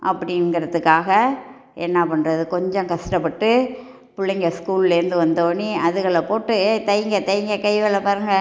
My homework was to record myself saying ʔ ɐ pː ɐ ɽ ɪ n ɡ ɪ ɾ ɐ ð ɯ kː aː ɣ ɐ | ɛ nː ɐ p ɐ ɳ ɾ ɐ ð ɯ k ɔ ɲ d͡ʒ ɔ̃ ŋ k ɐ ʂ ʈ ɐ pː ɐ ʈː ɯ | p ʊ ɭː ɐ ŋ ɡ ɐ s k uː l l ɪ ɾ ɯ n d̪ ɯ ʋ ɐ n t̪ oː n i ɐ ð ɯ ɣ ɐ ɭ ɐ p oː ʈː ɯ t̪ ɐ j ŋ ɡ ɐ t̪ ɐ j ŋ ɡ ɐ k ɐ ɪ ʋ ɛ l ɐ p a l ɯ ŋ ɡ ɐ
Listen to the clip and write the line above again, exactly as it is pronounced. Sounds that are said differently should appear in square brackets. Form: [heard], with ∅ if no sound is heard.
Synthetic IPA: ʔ ɐ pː ɐ ɽ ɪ n ɡ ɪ ɾ ɐ ð ɯ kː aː ɣ ɐ | ɛ nː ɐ p ɐ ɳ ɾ ɐ ð ɯ k ɔ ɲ d͡ʒ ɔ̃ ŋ k ɐ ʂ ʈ ɐ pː ɐ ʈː ɯ | p ʊ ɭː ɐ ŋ ɡ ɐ s k uː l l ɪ ɾ ɯ n d̪ ɯ ʋ ɐ n [d̪] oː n i ɐ ð ɯ ɣ ɐ ɭ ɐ p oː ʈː ɯ t̪ ɐ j ŋ ɡ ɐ t̪ ɐ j ŋ ɡ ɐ k ɐ ɪ ʋ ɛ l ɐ p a [ɾ] ɯ ŋ ɡ ɐ